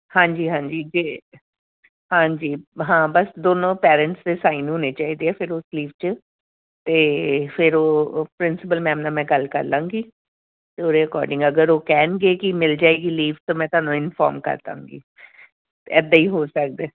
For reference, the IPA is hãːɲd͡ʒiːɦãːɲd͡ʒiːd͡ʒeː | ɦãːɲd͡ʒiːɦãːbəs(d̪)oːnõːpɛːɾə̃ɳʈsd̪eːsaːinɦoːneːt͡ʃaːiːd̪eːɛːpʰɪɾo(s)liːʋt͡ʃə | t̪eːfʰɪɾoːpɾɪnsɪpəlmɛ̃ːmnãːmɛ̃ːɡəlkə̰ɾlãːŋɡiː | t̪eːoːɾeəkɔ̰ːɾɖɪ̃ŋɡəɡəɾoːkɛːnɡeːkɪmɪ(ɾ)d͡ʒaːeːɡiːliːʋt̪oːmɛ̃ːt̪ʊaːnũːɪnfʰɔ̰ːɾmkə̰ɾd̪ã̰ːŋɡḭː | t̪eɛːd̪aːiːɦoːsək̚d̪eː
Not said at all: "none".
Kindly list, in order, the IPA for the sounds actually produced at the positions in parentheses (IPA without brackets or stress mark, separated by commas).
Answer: d̪, s, l